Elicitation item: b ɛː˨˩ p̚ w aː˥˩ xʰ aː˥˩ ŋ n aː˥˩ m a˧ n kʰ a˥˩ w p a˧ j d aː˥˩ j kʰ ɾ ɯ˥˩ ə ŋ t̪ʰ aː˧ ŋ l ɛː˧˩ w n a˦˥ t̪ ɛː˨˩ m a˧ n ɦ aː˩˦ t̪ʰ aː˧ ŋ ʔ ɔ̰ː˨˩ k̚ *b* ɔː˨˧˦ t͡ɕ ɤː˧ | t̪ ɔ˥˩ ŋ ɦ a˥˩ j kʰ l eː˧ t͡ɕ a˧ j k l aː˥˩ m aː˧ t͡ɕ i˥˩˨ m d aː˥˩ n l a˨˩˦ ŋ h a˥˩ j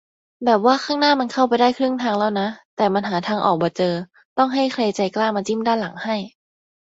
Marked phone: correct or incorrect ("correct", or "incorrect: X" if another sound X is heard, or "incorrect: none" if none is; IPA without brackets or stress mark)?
correct